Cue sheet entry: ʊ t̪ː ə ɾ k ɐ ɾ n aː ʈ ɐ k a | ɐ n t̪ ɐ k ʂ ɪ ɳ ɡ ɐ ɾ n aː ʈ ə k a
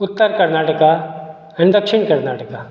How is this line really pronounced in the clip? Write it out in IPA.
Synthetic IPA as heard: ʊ t̪ː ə ɾ k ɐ ɾ n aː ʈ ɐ k a | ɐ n d̪ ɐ k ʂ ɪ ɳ k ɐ ɾ n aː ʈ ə k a

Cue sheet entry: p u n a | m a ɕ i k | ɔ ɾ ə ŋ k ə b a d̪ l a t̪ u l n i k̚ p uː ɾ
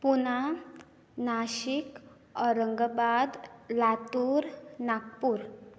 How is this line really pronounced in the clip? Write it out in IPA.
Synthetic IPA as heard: p u n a | n a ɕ i k | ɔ ɾ ə ŋ ɡ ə b a d̪ l a t̪ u ɾ n a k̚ p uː ɾ

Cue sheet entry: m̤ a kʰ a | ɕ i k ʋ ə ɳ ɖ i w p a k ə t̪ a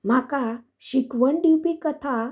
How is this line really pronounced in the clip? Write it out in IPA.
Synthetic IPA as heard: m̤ a k a | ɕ i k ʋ ə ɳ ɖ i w p i k ə t̪ʰ a

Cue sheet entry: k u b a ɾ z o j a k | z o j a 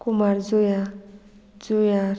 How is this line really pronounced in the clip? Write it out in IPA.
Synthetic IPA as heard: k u m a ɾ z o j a | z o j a

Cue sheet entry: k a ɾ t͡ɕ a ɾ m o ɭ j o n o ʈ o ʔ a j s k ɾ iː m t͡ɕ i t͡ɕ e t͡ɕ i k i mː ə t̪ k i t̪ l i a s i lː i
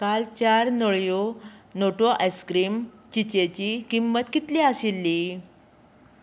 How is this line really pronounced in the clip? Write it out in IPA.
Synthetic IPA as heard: k a l t͡ɕ a ɾ n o ɭ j o n o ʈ o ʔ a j s k ɾ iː m t͡ɕ i t͡ɕ e t͡ɕ i k i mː ə t̪ k i t̪ l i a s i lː i

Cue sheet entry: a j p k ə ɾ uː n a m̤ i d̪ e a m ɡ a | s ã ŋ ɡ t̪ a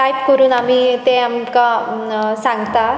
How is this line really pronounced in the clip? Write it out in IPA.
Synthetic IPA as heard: a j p k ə ɾ uː n a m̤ i t̪ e a m k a | s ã ŋ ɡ t̪ a

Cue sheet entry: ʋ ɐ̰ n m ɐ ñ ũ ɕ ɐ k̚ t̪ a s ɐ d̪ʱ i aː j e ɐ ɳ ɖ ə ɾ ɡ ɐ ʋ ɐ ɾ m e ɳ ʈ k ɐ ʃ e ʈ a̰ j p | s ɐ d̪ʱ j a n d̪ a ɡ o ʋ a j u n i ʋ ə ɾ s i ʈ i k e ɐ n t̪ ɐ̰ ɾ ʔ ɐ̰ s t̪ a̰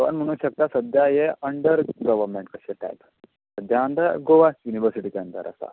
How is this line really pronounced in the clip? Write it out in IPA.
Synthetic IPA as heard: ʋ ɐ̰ n m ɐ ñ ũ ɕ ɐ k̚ t̪ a s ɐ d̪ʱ j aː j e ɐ ɳ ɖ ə ɾ ɡ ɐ ʋ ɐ ɾ m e ɳ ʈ k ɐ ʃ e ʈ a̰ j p | s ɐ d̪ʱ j a n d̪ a ɡ o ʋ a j u n i ʋ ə ɾ s i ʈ i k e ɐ n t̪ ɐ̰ ɾ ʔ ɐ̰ s t̪ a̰

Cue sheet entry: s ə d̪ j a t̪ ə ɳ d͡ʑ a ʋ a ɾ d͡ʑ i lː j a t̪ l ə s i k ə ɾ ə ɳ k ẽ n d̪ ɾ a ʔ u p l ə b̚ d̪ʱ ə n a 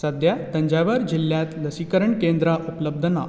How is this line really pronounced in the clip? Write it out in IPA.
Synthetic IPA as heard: s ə d̪ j a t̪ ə ɲ d͡ʑ a ʋ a ɾ d͡ʑ i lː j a t̪ l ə s i k ə ɾ ə ɳ k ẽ n d̪ ɾ a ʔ u p l ə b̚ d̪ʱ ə n a

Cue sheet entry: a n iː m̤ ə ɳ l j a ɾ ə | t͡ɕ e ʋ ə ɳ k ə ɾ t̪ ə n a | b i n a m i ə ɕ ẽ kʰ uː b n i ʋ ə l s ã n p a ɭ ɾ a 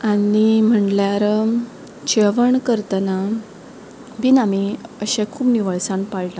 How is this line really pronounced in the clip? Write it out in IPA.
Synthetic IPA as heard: a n i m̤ ə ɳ l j a ɾ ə | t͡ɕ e ʋ ə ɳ k ə ɾ t̪ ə n a | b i n a m i ə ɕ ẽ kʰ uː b n i ʋ ə ɭ s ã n p a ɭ l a

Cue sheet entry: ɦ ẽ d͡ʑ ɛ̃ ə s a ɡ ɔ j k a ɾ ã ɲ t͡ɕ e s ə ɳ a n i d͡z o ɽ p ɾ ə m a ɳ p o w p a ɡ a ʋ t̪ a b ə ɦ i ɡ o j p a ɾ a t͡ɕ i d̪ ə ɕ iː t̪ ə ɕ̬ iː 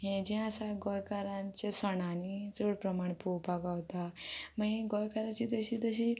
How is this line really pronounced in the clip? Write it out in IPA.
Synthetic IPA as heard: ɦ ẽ d͡ʑ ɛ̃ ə s a ɡ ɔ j k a ɾ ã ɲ t͡ɕ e s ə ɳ a n i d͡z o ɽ p ɾ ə m a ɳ p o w p a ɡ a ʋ t̪ a m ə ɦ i ɡ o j k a ɾ a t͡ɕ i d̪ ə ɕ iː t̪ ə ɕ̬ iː

